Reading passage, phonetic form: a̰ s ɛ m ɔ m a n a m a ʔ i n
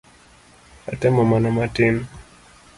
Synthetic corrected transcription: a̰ t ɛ m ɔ m a n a m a t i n